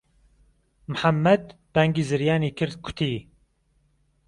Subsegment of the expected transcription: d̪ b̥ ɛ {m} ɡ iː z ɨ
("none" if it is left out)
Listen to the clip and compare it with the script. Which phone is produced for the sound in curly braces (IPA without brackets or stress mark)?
ŋ